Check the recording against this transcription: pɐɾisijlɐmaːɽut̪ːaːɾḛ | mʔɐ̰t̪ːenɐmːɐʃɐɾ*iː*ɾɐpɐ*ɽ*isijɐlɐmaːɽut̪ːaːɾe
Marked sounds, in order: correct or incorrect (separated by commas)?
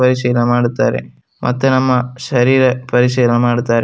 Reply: correct, incorrect